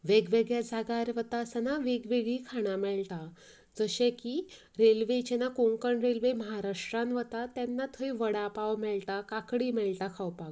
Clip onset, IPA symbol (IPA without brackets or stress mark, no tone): ʋ